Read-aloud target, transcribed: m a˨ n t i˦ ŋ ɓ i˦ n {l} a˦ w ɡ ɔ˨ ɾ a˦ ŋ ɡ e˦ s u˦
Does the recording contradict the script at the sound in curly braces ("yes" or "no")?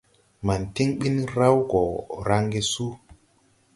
yes